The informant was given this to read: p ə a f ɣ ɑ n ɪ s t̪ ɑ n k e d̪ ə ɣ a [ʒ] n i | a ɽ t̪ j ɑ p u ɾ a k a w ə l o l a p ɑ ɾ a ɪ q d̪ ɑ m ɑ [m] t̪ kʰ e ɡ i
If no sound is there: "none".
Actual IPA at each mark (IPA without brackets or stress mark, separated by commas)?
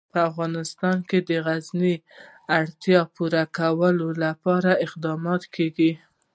z, none